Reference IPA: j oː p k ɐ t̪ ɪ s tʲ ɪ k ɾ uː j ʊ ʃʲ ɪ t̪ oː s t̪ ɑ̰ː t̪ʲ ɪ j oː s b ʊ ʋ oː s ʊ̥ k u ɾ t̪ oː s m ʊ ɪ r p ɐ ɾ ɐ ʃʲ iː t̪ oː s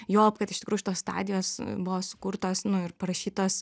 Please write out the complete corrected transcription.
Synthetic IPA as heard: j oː p k ɐ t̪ ɪ ʃ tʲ ɪ k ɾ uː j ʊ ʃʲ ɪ t̪ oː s t̪ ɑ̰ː d̪ʲ ɪ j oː s b ʊ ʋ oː s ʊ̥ k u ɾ t̪ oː s n ʊ ɪ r p ɐ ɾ ɐ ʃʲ iː t̪ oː s